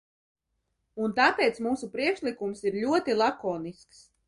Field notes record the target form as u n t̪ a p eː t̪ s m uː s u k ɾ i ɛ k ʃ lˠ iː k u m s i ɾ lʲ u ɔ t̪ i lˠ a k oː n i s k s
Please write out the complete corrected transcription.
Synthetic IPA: u n t̪ a p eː t̪ s m uː s u p ɾ i ɛ k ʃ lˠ i k u m s i ɾ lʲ u ɔ t̪ i lˠ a k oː n i s k s